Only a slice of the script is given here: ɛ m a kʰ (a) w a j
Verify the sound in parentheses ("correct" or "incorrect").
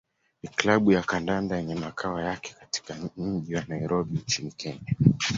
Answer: correct